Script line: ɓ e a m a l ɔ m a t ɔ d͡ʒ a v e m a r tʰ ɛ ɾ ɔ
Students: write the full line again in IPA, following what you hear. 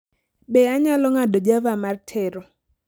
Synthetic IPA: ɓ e a ɲ a l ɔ ŋ a d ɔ d͡ʒ a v a m a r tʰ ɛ ɾ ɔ

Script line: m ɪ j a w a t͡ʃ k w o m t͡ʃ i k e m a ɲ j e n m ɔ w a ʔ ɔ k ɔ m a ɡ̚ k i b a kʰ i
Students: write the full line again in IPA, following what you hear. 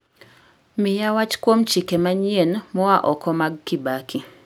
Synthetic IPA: m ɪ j a w a t͡ʃ k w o m t͡ʃ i k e m a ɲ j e n m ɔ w a ʔ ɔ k ɔ m a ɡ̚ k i b a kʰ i

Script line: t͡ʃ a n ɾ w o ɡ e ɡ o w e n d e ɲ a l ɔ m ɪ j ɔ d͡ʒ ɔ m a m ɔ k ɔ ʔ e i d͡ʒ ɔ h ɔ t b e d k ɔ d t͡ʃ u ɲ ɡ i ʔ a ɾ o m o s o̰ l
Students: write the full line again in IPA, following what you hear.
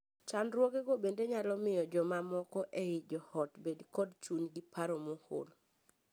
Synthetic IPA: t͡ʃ a n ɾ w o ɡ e ɡ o b e n d e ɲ a l ɔ m ɪ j ɔ d͡ʒ ɔ m a m ɔ k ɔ ʔ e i d͡ʒ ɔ h ɔ t b e d k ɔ d t͡ʃ u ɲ ɡ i p a ɾ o m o h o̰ l

